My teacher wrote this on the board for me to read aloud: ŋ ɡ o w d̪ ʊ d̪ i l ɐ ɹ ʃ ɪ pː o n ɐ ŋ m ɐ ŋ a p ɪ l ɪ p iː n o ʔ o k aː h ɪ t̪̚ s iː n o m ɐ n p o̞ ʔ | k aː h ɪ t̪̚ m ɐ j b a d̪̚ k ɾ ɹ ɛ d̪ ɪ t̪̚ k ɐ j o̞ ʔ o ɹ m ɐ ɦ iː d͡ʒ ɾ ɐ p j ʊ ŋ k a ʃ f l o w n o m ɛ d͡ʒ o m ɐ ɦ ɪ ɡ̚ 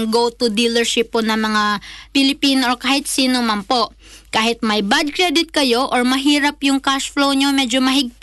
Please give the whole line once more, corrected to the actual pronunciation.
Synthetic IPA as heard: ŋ ɡ o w t̪ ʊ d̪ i l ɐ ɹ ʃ ɪ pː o n ɐ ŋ m ɐ ŋ a p ɪ l ɪ p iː n o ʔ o k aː h ɪ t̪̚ s iː n o m ɐ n p o̞ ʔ | k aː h ɪ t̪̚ m ɐ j b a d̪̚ k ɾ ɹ ɛ d̪ ɪ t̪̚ k ɐ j o̞ ʔ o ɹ m ɐ ɦ iː ɾ ɐ p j ʊ ŋ k a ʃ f l o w ɲ o m ɛ d͡ʒ o m ɐ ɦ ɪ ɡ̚